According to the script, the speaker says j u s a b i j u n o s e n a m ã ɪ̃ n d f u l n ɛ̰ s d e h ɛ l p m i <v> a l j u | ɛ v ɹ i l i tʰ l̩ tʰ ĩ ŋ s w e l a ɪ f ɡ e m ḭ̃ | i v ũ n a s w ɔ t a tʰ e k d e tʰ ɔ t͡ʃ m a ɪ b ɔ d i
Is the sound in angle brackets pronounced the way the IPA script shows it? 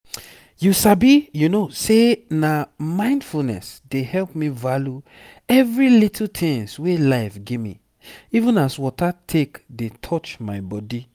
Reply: yes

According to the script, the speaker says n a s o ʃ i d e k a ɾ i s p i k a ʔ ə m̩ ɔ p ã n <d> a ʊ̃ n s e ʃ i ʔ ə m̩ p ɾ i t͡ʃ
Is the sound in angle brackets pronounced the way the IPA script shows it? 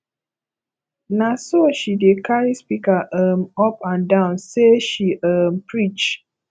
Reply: yes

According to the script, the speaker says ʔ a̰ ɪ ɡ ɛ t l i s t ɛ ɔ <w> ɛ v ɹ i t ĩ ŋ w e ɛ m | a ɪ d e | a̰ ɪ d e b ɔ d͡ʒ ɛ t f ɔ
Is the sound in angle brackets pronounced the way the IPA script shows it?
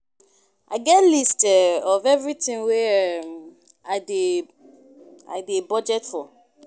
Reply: no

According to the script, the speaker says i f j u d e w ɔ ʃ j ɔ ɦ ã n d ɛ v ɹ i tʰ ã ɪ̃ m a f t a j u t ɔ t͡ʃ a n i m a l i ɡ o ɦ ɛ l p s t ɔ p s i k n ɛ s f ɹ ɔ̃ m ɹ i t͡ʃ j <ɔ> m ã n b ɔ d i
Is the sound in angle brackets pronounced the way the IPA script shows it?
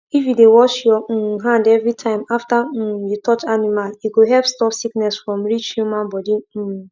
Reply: no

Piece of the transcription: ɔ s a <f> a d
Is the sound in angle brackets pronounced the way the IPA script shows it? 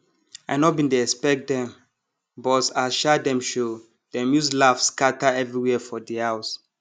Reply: no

